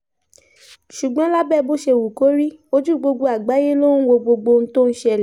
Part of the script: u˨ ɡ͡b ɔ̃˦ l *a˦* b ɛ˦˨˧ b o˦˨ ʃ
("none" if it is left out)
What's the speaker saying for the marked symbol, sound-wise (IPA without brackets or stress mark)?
a˦